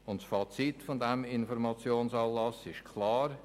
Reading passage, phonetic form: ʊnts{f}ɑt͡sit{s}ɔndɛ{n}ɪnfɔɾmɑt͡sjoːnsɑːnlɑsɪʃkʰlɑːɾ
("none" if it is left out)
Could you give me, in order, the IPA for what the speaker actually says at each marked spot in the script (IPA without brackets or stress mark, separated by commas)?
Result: f, f, m